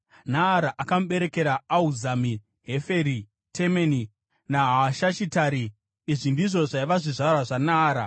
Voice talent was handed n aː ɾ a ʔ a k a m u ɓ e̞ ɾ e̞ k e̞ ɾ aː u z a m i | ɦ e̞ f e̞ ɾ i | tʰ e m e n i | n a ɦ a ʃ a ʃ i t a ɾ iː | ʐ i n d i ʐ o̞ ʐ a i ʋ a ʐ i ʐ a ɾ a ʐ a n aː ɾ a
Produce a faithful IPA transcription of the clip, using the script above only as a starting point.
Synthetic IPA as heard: n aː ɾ a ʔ a k a m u ɓ e̞ ɾ e̞ k e̞ ɾ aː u z a m i | ɦ e̞ f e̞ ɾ i | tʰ e m e n i | n a ɦ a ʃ a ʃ i t a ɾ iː | ʐ i n d i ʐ o̞ ʐ a i ʋ a ʐ i ʐ a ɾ a ʐ a n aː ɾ a